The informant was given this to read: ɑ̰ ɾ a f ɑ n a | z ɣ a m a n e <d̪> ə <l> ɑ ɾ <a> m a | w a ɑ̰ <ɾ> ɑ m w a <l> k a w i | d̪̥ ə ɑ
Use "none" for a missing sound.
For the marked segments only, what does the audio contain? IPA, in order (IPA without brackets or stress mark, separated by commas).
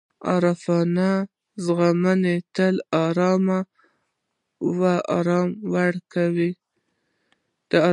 t̪, l, ɑ, ɾ, ɽ